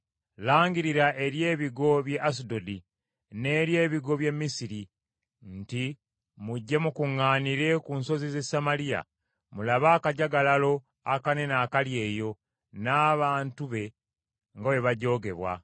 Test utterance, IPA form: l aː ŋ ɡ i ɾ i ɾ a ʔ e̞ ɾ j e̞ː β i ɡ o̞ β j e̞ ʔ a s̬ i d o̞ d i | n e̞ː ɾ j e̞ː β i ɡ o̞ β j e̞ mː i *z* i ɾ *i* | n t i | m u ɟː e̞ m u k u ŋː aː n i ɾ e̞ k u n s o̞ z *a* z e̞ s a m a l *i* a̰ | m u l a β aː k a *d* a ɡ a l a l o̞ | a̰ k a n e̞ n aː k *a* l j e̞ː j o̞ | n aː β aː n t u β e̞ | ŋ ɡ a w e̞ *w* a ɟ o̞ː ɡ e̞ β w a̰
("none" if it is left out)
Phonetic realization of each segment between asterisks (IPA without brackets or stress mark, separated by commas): s, i, i, i, ɟ, a, β